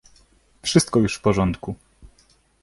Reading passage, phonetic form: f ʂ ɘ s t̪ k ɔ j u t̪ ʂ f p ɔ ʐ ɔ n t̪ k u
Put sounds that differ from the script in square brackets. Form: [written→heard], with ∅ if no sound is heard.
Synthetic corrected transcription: f ʂ ɘ s t̪ k ɔ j u [t̪→∅] ʂ f p ɔ ʐ ɔ n t̪ k u